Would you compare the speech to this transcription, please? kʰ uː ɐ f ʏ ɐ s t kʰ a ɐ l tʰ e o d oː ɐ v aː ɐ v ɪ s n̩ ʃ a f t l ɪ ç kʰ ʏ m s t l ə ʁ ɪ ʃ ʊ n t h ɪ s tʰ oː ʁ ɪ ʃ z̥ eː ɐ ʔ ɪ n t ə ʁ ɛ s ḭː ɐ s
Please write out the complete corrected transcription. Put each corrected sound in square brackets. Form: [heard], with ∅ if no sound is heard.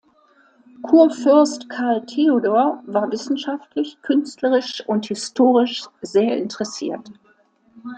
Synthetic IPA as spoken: kʰ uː ɐ f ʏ ɐ s t kʰ a ɐ l tʰ e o d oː ɐ v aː ɐ v ɪ s n̩ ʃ a f t l ɪ ç kʰ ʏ [n] s t l ə ʁ ɪ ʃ ʊ n t h ɪ s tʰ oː ʁ ɪ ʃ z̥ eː ɐ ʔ ɪ n t ə ʁ ɛ s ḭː ɐ [t]